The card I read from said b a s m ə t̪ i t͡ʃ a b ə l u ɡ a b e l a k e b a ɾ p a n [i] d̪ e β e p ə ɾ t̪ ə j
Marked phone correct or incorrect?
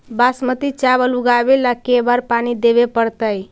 correct